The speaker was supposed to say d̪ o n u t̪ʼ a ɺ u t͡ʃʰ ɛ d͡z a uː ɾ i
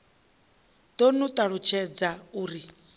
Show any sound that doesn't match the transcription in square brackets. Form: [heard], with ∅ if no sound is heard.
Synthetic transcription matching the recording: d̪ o n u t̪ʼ a ɺ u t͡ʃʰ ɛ d͡z a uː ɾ i

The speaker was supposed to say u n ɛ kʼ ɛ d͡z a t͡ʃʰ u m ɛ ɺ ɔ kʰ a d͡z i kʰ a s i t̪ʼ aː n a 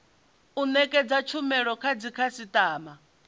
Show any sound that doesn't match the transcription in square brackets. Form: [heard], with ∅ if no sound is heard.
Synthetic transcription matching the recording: u n ɛ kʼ ɛ d͡z a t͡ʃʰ u m ɛ ɺ ɔ kʰ a d͡z i kʰ a s i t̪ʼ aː [m] a

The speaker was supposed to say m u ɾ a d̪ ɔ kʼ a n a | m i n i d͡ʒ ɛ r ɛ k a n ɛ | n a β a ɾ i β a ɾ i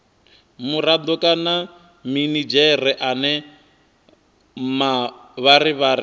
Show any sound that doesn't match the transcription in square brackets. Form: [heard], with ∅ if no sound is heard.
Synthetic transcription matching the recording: m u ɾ a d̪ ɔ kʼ a n a | m i n i d͡ʒ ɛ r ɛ [ʔ] a n ɛ | [m] a β a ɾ i β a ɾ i

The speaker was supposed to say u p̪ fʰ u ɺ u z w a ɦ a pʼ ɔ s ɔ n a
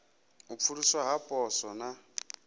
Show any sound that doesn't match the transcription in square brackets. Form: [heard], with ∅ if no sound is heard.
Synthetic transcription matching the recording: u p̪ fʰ u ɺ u [s] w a ɦ a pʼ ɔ s ɔ n a

